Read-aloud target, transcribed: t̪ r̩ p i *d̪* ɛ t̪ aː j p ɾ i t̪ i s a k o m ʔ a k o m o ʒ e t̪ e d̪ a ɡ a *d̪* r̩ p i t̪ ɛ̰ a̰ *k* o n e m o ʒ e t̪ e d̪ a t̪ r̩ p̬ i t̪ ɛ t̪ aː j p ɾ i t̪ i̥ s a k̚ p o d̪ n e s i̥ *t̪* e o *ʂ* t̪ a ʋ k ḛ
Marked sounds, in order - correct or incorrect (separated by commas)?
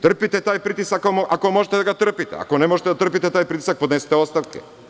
incorrect, incorrect, correct, correct, incorrect